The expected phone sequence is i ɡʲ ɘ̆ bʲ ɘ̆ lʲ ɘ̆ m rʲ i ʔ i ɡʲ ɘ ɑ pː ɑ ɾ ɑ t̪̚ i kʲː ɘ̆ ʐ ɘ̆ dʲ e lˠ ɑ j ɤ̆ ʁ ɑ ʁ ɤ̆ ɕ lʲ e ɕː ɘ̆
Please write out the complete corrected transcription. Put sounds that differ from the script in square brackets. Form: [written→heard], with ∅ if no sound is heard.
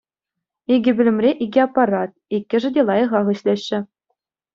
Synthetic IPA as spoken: i ɡʲ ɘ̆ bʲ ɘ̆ lʲ ɘ̆ m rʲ [i→e] ʔ i ɡʲ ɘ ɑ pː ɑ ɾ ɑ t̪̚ i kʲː ɘ̆ ʐ ɘ̆ dʲ e lˠ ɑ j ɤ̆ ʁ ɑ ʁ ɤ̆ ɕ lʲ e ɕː ɘ̆